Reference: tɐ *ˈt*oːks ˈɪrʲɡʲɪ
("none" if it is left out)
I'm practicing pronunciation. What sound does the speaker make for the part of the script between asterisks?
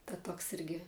t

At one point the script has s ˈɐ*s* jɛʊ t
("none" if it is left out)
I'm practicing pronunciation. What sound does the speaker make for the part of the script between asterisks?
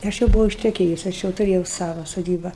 ʃ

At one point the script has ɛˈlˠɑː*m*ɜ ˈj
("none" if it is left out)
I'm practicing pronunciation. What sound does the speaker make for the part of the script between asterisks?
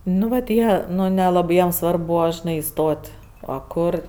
b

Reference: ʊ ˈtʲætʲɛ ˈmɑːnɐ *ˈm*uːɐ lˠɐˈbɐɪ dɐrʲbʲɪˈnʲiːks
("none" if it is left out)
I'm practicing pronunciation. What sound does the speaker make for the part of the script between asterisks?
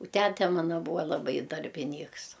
b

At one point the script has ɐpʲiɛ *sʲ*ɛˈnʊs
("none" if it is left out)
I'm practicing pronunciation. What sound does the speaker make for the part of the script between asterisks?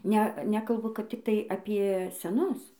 sʲ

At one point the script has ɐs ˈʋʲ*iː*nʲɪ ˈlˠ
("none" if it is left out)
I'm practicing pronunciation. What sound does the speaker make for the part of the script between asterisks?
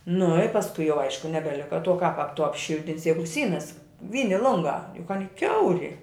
iː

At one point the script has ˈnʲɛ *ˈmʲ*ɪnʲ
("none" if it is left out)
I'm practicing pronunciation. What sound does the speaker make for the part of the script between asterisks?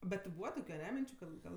mʲ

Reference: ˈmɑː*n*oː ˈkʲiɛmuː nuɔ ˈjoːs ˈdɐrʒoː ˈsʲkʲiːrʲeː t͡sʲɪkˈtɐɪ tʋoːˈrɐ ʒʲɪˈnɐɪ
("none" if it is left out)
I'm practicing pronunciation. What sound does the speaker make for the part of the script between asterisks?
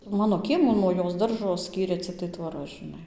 n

